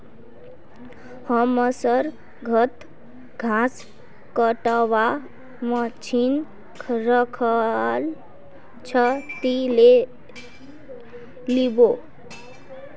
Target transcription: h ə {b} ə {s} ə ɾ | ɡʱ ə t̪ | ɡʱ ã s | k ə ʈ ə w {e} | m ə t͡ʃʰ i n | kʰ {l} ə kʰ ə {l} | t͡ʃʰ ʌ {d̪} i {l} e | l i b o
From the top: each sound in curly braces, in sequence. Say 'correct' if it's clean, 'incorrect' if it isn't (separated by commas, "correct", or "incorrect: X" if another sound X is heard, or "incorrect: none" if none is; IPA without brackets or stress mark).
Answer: incorrect: m, correct, incorrect: a, incorrect: ɾ, correct, incorrect: t̪, correct